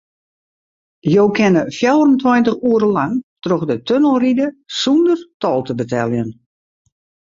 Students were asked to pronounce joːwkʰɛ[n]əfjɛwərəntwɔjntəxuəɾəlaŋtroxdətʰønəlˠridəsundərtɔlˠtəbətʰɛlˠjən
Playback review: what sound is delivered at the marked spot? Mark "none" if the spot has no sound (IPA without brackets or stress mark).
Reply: n